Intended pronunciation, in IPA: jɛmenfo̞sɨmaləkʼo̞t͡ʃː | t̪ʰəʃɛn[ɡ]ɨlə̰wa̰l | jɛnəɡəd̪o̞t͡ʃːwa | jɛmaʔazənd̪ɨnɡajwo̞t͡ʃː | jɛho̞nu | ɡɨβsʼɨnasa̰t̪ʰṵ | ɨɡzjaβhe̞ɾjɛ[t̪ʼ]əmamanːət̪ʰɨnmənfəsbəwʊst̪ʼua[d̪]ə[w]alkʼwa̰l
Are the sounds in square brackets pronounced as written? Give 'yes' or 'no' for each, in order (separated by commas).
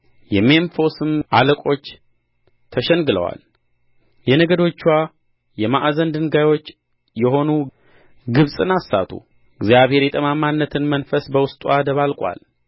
yes, yes, yes, no